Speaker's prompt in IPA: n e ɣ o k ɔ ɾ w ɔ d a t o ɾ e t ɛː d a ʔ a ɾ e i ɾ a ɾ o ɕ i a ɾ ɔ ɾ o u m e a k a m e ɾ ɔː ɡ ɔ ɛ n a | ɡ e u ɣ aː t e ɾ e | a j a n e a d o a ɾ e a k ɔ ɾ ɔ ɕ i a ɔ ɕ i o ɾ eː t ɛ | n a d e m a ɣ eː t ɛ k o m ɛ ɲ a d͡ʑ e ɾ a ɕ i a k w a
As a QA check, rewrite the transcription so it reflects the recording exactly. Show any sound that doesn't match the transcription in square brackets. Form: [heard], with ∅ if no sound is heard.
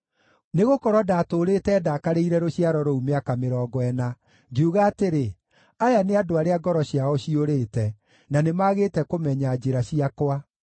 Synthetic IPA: n e ɣ o k ɔ ɾ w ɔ d a t o ɾ e t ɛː d a [k] a ɾ e i ɾ [ɛ] ɾ o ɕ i a ɾ ɔ ɾ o u m e a k a m e ɾ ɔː ɡ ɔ ɛ n a | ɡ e u ɣ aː t e ɾ e | a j a n e a d o a ɾ e a [ɡ] ɔ ɾ ɔ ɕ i a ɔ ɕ i o ɾ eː t ɛ | n a [n] e m a ɣ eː t ɛ k o m ɛ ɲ a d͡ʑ e ɾ a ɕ i a k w a